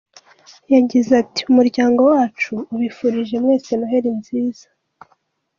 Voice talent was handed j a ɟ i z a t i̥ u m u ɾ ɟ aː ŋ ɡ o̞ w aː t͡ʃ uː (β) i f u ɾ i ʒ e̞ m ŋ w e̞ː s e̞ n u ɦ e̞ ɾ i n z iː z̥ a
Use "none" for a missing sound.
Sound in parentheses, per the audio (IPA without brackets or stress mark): β